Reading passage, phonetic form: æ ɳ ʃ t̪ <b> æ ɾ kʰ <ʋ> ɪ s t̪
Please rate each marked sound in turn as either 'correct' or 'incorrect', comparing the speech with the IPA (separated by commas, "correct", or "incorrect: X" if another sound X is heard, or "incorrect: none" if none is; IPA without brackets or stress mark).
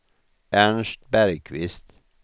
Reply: correct, correct